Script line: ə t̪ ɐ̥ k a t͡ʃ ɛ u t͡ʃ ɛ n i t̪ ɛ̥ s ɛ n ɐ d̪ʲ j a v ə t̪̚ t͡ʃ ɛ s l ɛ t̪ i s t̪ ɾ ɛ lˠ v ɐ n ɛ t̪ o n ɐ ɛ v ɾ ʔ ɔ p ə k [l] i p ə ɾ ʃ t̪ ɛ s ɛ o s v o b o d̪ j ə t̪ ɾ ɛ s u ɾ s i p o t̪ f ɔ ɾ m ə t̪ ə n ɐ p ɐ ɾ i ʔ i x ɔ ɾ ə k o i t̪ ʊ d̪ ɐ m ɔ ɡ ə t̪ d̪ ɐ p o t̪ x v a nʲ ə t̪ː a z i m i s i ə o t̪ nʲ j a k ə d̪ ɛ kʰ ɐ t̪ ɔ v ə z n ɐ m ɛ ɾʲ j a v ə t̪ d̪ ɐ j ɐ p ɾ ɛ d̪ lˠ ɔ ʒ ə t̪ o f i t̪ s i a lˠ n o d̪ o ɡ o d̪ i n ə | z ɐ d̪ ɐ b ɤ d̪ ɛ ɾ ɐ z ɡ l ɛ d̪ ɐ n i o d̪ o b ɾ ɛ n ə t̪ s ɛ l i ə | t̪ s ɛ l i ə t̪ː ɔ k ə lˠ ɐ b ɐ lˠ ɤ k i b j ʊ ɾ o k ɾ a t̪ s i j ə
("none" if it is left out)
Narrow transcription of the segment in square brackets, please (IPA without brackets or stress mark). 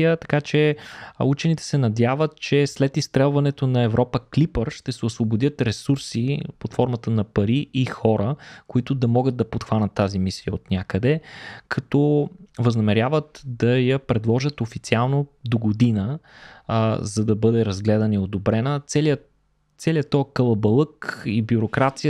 l